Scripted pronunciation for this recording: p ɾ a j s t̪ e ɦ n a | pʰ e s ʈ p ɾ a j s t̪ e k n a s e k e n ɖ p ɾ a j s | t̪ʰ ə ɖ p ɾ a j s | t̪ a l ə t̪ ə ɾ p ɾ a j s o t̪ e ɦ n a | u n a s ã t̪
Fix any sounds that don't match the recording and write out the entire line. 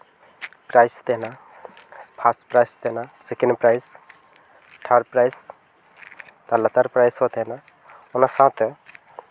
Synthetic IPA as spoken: p ɾ a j s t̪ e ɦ n a | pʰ a s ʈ p ɾ a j s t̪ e n a s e k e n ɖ p ɾ a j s | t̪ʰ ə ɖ p ɾ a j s | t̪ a l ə t̪ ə ɾ p ɾ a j s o t̪ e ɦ n a | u n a s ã t̪